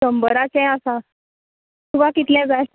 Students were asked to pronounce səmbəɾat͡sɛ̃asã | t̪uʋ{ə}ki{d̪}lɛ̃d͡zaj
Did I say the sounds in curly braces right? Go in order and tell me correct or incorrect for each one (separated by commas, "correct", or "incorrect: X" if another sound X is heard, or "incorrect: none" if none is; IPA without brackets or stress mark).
incorrect: a, incorrect: t̪